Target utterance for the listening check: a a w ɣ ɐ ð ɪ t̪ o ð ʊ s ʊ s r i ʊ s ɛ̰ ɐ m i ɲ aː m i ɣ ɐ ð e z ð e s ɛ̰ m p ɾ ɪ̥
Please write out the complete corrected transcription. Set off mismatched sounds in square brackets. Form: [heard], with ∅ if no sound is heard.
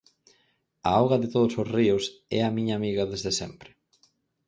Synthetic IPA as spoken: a a w ɣ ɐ ð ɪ t̪ o ð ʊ s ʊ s r i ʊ s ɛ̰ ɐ m i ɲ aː m i ɣ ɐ ð e z ð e s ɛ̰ m p ɾ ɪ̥